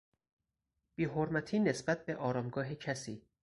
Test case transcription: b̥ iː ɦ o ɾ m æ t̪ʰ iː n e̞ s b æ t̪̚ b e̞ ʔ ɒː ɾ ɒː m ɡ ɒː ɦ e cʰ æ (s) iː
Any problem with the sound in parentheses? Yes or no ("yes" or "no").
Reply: no